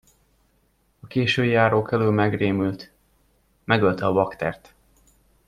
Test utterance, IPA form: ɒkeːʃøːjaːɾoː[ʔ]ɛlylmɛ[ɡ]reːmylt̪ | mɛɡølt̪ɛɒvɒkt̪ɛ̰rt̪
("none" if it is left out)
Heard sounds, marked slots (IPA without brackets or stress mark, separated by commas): k, ɡ